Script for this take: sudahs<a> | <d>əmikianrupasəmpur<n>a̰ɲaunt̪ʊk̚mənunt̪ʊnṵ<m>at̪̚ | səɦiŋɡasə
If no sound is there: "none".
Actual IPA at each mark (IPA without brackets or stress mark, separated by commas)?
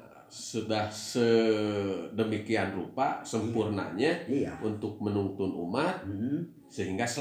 ə, d, n, m